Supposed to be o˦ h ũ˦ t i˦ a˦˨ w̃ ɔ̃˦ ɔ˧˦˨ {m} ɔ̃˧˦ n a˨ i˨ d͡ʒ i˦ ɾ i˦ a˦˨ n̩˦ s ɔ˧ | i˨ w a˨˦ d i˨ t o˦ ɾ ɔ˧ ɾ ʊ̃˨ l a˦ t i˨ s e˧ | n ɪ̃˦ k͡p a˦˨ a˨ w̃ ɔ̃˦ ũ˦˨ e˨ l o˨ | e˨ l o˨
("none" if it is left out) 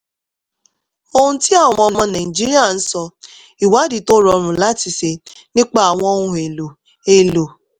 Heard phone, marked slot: m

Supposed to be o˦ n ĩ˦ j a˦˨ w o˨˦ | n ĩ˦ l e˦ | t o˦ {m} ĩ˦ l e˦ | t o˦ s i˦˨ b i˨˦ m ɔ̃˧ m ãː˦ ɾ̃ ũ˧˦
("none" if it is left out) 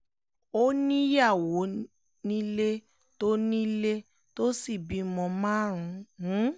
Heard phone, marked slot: n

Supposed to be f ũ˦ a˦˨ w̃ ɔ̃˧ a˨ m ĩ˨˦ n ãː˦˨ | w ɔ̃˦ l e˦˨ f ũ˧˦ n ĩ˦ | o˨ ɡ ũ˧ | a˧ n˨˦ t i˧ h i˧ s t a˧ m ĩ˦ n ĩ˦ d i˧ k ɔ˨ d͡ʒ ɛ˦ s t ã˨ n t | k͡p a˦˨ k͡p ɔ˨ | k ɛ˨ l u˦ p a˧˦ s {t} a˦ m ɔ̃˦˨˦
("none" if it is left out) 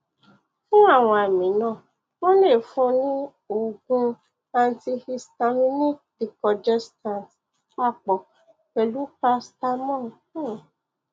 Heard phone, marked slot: t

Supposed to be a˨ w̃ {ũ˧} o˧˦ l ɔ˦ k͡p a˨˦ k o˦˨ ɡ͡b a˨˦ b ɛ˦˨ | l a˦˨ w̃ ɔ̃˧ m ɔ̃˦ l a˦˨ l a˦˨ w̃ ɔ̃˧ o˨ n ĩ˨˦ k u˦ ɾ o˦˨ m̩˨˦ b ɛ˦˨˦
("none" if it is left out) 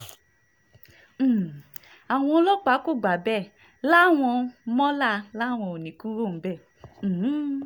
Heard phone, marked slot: ɔ̃˧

